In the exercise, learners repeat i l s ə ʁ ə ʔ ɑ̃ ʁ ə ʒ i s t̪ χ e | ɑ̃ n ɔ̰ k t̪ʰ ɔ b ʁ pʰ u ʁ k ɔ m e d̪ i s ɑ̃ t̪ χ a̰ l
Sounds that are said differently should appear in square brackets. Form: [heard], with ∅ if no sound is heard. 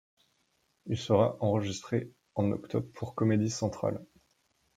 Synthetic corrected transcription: i l s ə ʁ [a] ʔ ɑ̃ ʁ ə ʒ i s t̪ χ e | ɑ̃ n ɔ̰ k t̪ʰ ɔ b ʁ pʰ u ʁ k ɔ m e d̪ i s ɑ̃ t̪ χ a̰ l